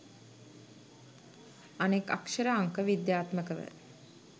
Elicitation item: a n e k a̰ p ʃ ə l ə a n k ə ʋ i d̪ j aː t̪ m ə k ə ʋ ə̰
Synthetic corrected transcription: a n e k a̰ k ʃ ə ɾ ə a ŋ k ə ʋ i d̪ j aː t̪ m ə k ə ʋ ə̰